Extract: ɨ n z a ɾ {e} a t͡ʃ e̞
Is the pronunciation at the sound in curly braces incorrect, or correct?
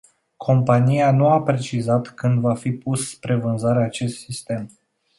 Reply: correct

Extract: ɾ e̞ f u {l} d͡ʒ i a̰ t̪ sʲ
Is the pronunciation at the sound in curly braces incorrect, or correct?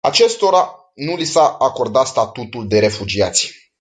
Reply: incorrect: none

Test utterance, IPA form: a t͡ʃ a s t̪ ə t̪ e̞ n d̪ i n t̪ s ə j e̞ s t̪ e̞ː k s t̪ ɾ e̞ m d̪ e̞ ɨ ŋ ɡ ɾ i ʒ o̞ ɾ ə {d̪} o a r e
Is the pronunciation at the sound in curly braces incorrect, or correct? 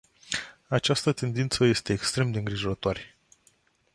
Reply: incorrect: t̪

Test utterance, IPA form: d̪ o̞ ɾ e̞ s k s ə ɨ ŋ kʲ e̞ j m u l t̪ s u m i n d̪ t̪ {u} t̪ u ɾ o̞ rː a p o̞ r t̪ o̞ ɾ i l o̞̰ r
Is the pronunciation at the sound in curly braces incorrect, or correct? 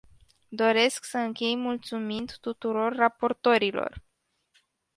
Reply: correct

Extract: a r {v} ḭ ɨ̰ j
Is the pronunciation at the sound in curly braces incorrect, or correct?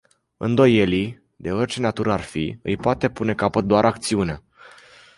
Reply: incorrect: f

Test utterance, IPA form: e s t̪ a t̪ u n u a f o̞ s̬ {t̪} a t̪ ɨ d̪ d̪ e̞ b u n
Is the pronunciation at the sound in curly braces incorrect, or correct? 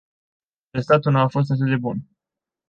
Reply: correct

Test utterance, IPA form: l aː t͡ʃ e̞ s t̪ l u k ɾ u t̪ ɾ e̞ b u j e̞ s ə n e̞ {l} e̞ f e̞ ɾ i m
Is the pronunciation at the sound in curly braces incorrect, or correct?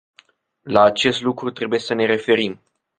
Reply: incorrect: ɾ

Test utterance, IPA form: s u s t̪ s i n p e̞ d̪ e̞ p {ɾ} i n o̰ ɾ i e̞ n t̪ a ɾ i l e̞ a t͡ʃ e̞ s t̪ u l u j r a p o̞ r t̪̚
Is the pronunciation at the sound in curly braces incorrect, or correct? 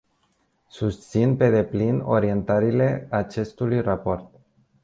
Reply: incorrect: l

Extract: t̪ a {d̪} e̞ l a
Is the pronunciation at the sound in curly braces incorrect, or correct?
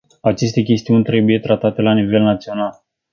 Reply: incorrect: t̪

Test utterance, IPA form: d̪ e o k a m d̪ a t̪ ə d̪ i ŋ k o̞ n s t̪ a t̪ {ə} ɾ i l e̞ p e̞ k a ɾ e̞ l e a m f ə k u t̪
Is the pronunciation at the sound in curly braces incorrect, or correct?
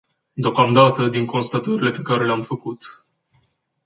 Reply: correct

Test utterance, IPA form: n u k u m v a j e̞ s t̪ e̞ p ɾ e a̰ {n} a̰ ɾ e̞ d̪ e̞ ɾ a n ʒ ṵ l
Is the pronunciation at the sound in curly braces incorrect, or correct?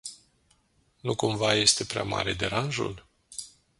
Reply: incorrect: m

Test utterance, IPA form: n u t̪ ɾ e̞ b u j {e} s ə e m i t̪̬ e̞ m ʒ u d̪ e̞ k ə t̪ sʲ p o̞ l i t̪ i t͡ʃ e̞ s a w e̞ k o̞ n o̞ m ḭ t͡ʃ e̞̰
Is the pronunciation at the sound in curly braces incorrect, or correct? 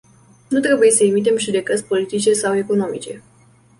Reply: correct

